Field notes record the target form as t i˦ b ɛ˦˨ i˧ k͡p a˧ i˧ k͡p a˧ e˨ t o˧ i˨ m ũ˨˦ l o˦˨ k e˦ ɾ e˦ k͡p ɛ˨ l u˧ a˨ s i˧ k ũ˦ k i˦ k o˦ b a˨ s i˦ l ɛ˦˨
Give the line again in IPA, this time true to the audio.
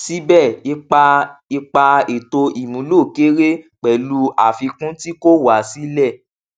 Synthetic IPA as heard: s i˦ b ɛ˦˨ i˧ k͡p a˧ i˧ k͡p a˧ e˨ t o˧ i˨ m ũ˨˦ l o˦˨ k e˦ ɾ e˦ k͡p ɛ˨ l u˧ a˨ f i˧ k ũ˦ t i˦ k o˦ w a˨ s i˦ l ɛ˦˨

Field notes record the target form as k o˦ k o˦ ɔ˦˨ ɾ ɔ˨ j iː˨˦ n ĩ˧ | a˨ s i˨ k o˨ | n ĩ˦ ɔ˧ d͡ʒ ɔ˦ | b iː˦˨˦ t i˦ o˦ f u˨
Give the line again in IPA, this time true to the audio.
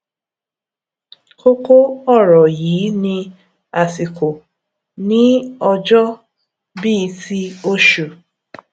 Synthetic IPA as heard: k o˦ k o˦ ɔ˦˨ ɾ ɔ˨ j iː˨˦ n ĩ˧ | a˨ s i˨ k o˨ | n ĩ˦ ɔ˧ d͡ʒ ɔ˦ | b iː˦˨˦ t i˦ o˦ ʃ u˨

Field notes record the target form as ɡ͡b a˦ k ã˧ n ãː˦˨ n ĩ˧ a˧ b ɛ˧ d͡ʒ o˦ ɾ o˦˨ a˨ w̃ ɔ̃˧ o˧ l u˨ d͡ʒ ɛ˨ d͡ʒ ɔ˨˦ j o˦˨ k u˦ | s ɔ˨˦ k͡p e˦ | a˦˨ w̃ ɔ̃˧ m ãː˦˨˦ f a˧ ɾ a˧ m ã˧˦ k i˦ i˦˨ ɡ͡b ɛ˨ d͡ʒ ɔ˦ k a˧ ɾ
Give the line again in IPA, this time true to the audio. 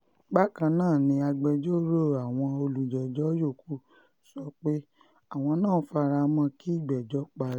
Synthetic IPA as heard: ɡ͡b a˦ k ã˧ n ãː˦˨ n ĩ˧ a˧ ɡ͡b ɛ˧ d͡ʒ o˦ ɾ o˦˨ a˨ w̃ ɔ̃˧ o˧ l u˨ d͡ʒ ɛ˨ d͡ʒ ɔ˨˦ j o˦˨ k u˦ | s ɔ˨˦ k͡p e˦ | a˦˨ w̃ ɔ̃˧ n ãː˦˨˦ f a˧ ɾ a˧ m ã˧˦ k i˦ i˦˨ ɡ͡b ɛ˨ d͡ʒ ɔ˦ k͡p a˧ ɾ

